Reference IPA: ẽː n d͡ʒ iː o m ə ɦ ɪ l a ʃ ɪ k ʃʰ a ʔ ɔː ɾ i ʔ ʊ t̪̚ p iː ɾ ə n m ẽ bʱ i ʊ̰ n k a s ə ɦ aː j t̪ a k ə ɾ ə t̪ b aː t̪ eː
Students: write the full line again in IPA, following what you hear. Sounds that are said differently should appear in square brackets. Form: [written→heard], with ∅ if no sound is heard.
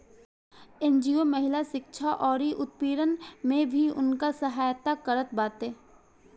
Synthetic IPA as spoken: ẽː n d͡ʒ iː o m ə ɦ ɪ l a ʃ ɪ k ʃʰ a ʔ ɔː ɾ i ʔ ʊ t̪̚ p iː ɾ ə n m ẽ bʱ i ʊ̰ n k a s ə ɦ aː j t̪ a k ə ɾ ə t̪ b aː t̪ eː